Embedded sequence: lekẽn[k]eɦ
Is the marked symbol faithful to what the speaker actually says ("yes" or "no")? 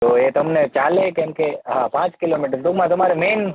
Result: yes